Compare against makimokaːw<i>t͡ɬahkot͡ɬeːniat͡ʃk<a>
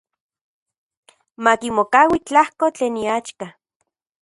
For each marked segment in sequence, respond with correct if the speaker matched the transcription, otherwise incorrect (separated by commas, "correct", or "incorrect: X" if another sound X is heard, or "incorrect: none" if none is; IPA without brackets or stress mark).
correct, correct